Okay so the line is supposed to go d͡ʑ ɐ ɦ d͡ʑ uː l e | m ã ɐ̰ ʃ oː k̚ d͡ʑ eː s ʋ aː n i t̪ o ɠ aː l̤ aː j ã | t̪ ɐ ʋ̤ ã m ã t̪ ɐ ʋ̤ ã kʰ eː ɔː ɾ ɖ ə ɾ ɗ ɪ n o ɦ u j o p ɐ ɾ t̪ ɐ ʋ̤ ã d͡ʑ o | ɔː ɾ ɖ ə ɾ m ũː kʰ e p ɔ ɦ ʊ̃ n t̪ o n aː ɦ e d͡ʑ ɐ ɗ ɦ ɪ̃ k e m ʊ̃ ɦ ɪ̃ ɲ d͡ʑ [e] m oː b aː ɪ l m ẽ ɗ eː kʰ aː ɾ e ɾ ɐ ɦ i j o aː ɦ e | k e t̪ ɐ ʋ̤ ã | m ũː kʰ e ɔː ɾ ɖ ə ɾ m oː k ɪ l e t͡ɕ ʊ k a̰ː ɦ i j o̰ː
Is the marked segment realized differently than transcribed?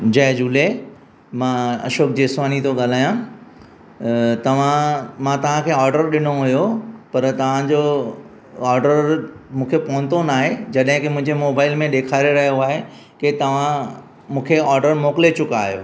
no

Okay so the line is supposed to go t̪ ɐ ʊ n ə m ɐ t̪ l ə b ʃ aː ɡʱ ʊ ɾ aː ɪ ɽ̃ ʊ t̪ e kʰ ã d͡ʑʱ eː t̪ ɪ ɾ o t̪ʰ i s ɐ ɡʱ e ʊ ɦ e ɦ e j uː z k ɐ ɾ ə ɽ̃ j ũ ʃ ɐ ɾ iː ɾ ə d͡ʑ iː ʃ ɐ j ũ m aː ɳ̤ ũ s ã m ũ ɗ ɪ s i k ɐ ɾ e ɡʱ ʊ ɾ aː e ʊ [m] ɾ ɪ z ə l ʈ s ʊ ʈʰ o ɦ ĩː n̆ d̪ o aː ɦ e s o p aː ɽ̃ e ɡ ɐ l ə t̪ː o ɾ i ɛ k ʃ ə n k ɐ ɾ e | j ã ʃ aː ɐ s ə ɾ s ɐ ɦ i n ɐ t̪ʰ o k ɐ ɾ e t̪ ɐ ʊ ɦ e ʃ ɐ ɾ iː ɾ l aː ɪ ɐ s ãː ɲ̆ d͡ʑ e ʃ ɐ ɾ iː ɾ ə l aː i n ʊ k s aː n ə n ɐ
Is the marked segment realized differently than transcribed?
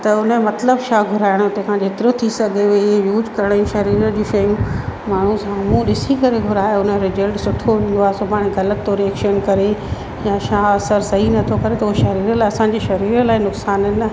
yes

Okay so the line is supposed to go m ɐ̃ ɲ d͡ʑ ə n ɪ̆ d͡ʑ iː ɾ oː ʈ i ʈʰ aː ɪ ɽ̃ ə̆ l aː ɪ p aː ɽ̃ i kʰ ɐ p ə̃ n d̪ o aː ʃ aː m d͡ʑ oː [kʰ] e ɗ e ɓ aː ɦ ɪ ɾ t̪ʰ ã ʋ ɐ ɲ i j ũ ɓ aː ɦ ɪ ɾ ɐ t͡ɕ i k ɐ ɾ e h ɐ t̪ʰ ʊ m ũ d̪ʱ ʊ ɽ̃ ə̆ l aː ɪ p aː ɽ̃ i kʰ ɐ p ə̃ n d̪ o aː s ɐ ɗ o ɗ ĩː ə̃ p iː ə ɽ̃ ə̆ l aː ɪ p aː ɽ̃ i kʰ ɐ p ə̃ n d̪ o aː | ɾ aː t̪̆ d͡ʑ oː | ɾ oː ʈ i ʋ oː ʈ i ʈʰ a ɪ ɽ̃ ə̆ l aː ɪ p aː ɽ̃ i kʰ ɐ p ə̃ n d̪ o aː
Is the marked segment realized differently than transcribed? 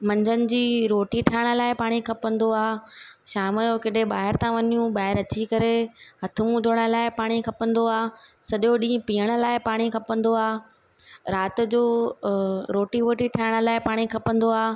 yes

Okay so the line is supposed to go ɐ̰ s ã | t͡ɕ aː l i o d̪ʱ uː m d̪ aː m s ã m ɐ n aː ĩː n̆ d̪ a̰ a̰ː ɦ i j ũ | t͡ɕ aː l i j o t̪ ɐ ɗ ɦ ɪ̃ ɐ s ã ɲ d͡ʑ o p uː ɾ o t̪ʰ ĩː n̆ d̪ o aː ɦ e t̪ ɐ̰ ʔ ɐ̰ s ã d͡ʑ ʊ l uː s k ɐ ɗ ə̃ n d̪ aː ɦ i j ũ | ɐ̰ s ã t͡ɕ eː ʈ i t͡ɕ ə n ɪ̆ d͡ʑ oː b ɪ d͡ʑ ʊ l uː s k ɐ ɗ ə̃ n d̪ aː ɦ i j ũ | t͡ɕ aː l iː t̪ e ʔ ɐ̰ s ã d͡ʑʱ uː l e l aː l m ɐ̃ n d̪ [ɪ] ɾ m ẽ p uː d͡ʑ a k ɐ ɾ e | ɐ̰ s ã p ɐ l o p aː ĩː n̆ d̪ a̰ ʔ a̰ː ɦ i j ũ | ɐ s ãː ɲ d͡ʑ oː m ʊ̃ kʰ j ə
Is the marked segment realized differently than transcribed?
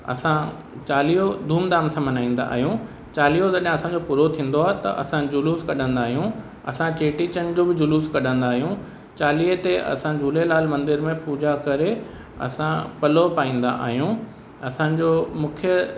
no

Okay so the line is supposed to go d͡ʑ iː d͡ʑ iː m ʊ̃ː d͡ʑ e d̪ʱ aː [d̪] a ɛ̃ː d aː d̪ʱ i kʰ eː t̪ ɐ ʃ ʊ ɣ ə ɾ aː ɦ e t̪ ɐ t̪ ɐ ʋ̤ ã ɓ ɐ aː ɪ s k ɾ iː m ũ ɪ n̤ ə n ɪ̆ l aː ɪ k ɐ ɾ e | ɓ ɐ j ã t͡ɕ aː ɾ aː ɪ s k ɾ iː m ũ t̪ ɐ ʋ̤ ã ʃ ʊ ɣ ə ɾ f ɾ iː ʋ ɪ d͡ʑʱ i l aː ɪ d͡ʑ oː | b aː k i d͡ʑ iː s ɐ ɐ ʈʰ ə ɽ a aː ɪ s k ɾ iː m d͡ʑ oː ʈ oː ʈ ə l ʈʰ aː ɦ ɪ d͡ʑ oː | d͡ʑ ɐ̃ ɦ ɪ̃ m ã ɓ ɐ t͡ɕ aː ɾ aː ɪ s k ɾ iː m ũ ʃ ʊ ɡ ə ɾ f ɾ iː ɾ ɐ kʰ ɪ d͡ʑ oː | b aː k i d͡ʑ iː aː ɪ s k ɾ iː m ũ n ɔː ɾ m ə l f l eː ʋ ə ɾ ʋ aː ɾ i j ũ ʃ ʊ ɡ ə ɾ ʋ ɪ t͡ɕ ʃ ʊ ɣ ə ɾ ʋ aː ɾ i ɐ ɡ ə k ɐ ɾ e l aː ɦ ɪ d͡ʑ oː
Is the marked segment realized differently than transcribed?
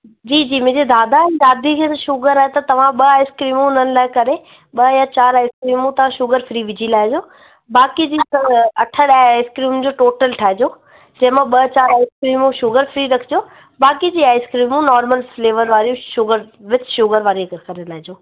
no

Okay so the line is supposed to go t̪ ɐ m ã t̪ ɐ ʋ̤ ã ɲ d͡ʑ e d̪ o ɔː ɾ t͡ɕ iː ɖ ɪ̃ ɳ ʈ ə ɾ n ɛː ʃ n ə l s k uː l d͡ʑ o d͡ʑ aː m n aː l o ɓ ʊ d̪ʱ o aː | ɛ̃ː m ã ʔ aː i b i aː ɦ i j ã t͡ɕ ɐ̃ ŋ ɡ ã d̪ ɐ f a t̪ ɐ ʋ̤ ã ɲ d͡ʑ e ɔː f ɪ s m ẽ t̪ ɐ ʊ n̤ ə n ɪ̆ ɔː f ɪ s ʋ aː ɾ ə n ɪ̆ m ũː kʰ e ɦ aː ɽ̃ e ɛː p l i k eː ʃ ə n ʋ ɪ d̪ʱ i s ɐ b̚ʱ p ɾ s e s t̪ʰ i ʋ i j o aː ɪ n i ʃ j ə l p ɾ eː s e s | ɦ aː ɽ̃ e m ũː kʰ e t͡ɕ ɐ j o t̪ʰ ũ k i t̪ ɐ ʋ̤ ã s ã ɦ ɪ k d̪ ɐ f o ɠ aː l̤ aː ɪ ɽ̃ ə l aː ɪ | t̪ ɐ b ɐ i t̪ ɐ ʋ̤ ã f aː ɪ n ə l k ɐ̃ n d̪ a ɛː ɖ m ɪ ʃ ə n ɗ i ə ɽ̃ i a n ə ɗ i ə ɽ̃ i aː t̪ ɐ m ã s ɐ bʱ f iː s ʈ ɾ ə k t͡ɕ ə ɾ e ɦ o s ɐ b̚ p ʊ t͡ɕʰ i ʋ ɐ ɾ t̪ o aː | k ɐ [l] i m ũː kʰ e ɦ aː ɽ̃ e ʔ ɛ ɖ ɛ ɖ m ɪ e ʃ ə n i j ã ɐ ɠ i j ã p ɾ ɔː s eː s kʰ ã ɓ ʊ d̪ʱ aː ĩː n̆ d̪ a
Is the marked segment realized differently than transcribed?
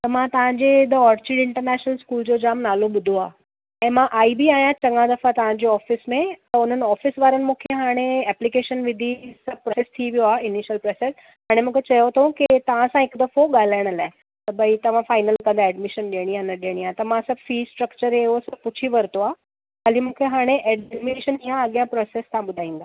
no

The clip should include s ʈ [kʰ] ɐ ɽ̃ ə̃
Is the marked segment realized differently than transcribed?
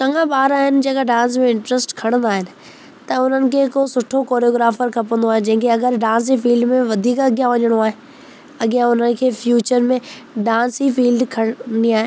no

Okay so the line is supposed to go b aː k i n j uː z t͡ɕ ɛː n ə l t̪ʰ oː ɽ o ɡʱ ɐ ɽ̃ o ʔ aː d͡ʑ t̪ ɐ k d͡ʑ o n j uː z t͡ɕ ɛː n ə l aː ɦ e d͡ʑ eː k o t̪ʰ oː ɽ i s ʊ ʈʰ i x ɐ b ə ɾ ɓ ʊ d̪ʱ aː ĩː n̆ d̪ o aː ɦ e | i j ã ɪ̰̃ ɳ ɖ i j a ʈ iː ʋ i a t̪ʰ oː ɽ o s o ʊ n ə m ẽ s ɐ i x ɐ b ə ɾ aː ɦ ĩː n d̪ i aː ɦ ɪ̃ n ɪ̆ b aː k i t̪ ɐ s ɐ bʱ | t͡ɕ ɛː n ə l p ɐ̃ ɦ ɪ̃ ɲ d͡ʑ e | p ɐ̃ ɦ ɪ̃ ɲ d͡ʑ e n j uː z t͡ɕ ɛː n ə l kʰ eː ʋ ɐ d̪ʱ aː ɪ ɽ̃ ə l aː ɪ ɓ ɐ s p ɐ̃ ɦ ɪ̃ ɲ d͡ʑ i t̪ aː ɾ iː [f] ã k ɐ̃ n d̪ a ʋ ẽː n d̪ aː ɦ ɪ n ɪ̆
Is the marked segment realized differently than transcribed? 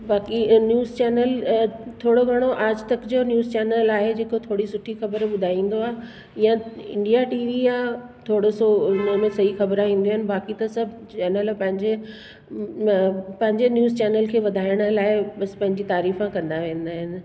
no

